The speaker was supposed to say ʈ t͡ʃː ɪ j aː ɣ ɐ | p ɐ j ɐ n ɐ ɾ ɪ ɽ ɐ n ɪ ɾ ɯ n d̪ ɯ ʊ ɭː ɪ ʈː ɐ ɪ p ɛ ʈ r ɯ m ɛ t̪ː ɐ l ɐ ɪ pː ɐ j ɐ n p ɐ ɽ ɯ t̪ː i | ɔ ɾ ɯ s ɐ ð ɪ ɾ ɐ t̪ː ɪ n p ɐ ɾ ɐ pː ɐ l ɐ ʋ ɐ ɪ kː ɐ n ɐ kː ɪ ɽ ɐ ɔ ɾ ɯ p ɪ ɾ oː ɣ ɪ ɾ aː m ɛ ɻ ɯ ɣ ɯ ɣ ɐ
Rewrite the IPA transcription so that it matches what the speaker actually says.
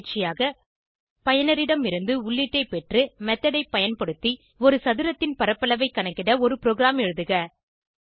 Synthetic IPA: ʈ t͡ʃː ɪ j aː ɣ ɐ | p ɐ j ɐ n ɐ ɾ ɪ ɽ ɐ m ɪ ɾ ɯ n d̪ ɯ ʊ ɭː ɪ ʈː ɐ ɪ p ɛ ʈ r ɯ m ɛ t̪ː ɐ ɽ ɐ ɪ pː ɐ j ɐ n p ɐ ɽ ɯ t̪ː i | ɔ ɾ ɯ s ɐ ð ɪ ɾ ɐ t̪ː ɪ n p ɐ ɾ ɐ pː ɐ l ɐ ʋ ɐ ɪ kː ɐ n ɐ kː ɪ ɽ ɐ ɔ ɾ ɯ p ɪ ɾ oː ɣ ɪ ɾ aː m ɛ ɻ ɯ ð ɯ ɣ ɐ

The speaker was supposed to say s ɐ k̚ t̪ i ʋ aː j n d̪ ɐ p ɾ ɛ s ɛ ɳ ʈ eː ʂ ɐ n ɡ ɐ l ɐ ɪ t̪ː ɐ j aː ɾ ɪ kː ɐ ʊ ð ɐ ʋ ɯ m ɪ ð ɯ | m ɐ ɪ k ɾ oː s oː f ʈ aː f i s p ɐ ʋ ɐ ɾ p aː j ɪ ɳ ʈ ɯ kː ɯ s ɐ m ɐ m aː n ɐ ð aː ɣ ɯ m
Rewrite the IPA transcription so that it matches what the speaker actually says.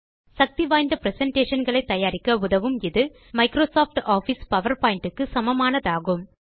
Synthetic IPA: s ɐ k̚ t̪ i ʋ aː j n d̪ ɐ p ɾ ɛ s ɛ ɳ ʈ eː ʂ ɐ n ɡ ɐ ɭ ɐ ɪ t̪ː ɐ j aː ɾ ɪ kː ɐ ʊ ð ɐ ʋ ɯ m ɪ ð ɯ | m ɐ ɪ k ɾ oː s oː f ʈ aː f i s p ɐ ʋ ɐ ɾ p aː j ɪ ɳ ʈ ɯ kː ɯ s ɐ m ɐ m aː n ɐ ð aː ɣ ɯ m

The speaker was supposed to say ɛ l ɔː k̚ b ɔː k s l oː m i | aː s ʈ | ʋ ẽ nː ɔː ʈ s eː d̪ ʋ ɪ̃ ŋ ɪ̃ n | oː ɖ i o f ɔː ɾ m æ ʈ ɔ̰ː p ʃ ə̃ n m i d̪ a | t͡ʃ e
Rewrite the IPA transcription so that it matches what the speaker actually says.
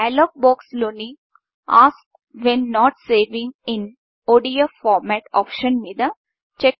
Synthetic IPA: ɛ l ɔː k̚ b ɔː k s l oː n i | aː s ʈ | ʋ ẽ nː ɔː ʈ s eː ʋ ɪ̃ ŋ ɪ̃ n | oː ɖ i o f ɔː ɾ m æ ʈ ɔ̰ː p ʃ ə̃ n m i d̪ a | t͡ʃ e

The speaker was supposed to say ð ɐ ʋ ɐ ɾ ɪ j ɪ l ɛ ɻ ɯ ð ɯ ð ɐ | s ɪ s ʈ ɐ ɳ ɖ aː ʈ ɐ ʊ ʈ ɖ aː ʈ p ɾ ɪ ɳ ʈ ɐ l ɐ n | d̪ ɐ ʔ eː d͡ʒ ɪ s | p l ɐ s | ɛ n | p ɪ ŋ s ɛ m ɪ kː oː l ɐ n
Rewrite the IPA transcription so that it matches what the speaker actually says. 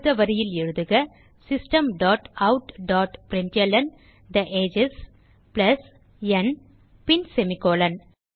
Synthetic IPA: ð ɐ ʋ ɐ ɾ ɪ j ɪ l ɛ ɻ ɯ ð ɯ ɣ ɐ | s ɪ s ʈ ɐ m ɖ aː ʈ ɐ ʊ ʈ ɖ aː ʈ p ɾ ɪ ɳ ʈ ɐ l ɐ n | d̪ ɐ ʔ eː d͡ʒ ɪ s | p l ɐ s | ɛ n | p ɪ n s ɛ m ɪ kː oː l ɐ n

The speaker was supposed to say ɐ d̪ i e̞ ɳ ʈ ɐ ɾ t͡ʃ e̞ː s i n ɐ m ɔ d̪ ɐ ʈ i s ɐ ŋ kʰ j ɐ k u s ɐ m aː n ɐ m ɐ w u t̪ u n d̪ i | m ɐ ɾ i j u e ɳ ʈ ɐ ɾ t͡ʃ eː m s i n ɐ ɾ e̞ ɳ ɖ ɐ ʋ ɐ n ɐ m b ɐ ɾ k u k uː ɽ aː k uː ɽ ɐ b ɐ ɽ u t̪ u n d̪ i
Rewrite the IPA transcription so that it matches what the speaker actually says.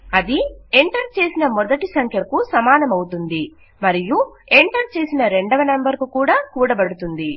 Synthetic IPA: ɐ d̪ i e̞ ɳ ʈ ɐ ɾ t͡ʃ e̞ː s i n ɐ m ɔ d̪ ɐ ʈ i s ɐ ŋ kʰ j ɐ k u s ɐ m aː n ɐ m ɐ w u t̪ u n d̪ i | m ɐ ɾ i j u e ɳ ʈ ɐ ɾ t͡ʃ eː s i n ɐ ɾ e̞ ɳ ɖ ɐ ʋ ɐ n ɐ m b ɐ ɾ k u k uː ɽ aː k uː ɽ ɐ b ɐ ɽ u t̪ u n d̪ i

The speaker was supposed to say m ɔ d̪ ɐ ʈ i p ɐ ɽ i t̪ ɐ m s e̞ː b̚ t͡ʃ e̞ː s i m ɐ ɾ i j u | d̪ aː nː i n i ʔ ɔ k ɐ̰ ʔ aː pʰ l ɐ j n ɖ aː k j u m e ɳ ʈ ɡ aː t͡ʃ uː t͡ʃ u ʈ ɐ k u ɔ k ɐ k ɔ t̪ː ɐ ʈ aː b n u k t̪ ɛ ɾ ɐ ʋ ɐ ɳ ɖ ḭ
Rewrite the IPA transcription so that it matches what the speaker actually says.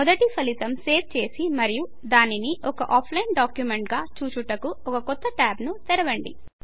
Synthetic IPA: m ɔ d̪ ɐ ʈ i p ɐ l i t̪ ɐ m s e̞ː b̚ t͡ʃ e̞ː s i m ɐ ɾ i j u | d̪ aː n i n i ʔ ɔ k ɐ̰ ʔ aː pʰ l ɐ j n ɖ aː k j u m e ɳ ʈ ɡ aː t͡ʃ uː t͡ʃ u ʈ ɐ k u ɔ k ɐ k ɔ t̪ː ɐ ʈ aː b n u t̪ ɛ ɾ ɐ ʋ ɐ ɳ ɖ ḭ

